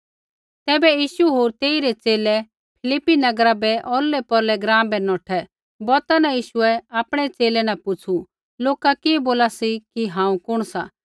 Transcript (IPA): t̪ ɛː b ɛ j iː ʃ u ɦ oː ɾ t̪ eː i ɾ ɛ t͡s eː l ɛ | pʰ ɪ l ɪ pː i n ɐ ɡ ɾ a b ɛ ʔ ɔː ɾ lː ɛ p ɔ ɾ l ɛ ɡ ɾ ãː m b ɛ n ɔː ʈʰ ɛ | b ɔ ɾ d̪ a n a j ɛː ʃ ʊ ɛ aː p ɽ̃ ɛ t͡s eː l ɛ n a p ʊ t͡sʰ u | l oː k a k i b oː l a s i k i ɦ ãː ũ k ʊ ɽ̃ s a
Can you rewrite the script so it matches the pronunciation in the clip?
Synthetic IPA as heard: t̪ ɛː b ɛ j iː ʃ u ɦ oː ɾ t̪ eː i ɾ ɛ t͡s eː l ɛ | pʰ ɪ l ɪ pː i n ɐ ɡ ɾ a b ɛ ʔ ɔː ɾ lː ɛ p ɔ ɾ l ɛ ɡ ɾ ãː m b ɛ n ɔː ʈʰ ɛ | b ɔ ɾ t̪ a n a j iː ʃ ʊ ɛ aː p ɽ̃ ɛ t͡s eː l ɛ n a p ʊ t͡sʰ u | l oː k a k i b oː l a s i k i ɦ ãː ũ k ʊ ɽ̃ s a